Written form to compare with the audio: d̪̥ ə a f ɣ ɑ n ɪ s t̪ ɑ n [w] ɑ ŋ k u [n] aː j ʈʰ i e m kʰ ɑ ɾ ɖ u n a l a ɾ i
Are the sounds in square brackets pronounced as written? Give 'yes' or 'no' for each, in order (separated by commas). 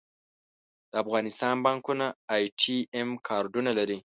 no, yes